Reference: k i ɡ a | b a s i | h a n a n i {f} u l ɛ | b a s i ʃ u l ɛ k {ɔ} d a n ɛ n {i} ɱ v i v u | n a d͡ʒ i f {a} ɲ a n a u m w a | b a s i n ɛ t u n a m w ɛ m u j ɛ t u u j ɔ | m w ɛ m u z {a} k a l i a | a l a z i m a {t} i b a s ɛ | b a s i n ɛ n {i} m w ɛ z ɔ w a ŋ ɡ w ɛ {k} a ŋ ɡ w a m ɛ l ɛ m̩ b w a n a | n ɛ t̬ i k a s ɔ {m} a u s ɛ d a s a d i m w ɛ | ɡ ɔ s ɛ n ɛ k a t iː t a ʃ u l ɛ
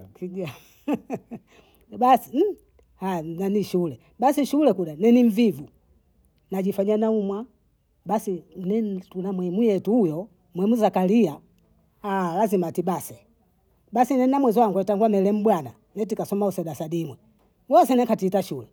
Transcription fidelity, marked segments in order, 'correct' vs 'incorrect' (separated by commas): incorrect, incorrect, correct, correct, correct, correct, incorrect, incorrect, correct